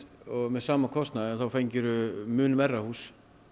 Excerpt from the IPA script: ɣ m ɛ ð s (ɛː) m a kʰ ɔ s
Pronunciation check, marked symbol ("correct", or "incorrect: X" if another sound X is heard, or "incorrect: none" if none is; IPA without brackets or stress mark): incorrect: aː